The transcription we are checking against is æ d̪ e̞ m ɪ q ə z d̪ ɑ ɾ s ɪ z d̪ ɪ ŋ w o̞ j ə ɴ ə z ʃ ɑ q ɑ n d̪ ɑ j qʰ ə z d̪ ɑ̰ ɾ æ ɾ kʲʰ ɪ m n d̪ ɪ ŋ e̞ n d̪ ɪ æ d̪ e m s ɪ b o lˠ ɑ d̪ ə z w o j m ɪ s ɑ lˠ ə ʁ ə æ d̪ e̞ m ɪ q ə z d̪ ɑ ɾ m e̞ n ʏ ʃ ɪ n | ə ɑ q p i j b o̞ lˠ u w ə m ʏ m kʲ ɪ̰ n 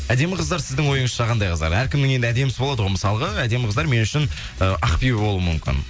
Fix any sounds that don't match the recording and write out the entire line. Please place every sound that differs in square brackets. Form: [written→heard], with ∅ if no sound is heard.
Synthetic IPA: æ d̪ e̞ m ɪ q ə z d̪ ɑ ɾ s ɪ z d̪ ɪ ŋ w o̞ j ə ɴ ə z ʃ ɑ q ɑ n d̪ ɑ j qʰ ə z d̪ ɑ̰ ɾ æ ɾ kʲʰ ɪ m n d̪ ɪ ŋ e̞ n d̪ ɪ æ d̪ e m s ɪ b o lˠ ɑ d̪ ə [z→ʁ] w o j m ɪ s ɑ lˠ ə ʁ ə æ d̪ e̞ m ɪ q ə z d̪ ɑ ɾ m e̞ n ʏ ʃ ɪ n | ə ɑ q p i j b o̞ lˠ u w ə m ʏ m kʲ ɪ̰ n